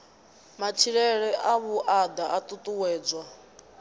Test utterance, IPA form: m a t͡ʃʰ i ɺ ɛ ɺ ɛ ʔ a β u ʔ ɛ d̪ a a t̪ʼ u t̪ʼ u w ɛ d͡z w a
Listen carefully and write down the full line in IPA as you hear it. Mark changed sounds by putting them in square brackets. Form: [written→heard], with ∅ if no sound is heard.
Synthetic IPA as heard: m a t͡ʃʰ i ɺ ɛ ɺ ɛ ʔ a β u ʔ [ɛ→a] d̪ a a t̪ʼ u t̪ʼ u w [ɛ→ɛː] d͡z w a